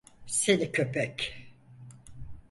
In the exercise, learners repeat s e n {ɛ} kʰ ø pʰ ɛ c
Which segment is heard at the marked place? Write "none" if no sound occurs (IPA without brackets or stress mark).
i